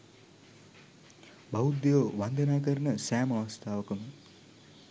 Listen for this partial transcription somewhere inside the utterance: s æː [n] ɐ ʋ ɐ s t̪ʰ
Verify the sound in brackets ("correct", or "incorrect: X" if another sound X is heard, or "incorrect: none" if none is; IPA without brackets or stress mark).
incorrect: m